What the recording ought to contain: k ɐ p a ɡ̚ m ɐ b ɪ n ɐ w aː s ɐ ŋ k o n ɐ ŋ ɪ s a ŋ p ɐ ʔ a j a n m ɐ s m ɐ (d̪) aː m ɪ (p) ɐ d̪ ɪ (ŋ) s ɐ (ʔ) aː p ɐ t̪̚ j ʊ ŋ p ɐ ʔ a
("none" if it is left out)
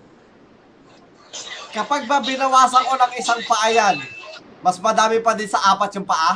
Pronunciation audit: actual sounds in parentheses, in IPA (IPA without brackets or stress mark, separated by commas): d̪, p, n, ʔ